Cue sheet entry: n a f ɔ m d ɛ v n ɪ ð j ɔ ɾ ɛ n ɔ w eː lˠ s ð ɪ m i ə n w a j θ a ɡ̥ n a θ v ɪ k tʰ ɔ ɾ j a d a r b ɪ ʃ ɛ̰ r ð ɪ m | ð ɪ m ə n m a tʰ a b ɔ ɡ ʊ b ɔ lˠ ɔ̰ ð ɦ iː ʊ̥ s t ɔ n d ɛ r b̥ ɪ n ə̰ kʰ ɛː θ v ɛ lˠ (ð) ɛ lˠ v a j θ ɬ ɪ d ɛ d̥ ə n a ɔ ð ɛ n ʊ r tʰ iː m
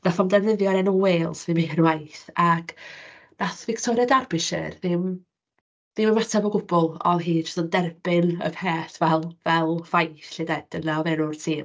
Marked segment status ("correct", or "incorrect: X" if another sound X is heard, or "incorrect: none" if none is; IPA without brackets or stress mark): incorrect: v